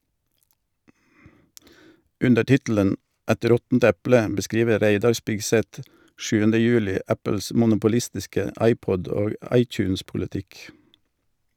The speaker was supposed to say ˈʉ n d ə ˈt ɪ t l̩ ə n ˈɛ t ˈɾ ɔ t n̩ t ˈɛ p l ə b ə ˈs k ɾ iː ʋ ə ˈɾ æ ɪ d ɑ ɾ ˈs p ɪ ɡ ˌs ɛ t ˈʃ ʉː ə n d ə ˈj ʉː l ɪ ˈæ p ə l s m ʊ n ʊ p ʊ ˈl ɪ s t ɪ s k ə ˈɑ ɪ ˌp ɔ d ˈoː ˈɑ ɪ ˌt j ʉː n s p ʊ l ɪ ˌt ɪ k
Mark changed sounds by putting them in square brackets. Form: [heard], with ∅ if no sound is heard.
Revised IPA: ˈʉ n d ə ˈt ɪ t l̩ ə n ˈɛ t ˈɾ ɔ t n̩ t ˈɛ p l ə b ə ˈs k ɾ iː ʋ ə ˈɾ æ ɪ d ɑ ɾ ˈs p ɪ ɡ ˌs ɛ t ˈʃ ʉː ə n d ə ˈj ʉː l ɪ ˈæ p ə l s m ʊ n ʊ p ʊ ˈl ɪ s t ɪ s k ə ˈɑ ɪ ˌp ɔ d ˈoː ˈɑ ɪ ˌt j ʉː n s p ʊ l ɪ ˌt ɪ k